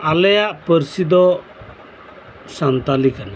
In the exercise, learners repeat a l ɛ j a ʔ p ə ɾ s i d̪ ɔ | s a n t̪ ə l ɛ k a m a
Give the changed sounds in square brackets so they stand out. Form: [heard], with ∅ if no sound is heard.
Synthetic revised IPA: a l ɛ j a ʔ p ə ɾ s i d̪ ɔ | s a n t̪ [a] l [i] k a [n] a